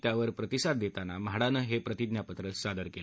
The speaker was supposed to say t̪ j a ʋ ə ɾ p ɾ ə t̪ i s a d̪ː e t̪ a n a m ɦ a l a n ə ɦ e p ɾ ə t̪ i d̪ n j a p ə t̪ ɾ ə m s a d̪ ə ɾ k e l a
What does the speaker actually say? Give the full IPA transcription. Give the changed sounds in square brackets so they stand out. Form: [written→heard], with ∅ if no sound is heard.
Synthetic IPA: t̪ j a ʋ ə ɾ p ɾ ə t̪ i s a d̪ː e t̪ a n a m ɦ a [l→ɽ] a n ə ɦ e p ɾ ə t̪ i d̪ n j a p ə t̪ ɾ ə [m→∅] s a d̪ ə ɾ k e l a